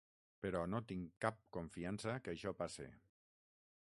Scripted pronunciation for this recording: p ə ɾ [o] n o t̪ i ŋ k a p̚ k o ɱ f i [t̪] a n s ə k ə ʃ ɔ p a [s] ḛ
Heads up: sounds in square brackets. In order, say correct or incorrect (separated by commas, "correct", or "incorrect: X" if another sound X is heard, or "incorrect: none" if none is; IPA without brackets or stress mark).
incorrect: ɔ, incorrect: none, correct